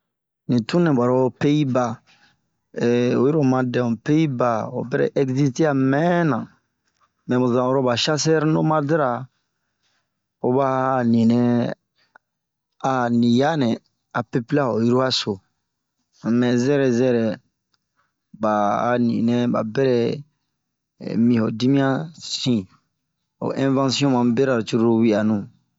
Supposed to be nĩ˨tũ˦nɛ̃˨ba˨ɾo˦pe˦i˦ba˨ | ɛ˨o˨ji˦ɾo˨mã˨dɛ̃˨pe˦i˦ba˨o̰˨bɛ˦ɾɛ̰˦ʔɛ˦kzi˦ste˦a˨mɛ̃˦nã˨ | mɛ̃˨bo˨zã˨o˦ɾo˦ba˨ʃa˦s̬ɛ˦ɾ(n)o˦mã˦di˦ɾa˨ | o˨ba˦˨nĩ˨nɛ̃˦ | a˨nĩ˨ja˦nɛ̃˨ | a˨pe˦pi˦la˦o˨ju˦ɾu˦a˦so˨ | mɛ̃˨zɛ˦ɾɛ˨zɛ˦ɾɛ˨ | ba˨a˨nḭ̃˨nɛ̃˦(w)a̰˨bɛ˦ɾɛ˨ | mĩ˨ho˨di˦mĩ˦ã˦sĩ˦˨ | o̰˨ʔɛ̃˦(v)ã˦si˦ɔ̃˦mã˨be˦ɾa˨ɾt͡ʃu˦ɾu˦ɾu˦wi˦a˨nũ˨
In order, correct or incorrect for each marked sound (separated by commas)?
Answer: correct, incorrect, correct